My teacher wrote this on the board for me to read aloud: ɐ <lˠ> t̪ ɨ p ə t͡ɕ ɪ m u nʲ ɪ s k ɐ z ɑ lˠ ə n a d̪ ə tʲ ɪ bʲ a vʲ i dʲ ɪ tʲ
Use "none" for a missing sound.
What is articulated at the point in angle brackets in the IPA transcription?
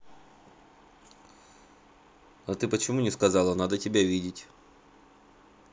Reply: none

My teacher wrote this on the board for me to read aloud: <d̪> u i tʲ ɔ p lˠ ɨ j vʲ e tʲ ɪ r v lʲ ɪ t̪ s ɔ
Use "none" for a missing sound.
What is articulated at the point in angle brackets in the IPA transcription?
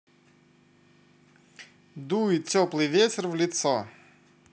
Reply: d̪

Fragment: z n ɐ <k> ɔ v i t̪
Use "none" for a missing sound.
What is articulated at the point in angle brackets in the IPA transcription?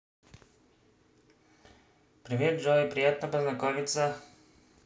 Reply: k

